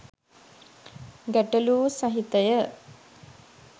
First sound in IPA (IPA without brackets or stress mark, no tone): ɡ